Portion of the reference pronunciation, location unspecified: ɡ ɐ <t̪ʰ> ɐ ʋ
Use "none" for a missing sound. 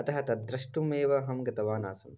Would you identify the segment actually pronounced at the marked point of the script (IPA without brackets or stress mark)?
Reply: t̪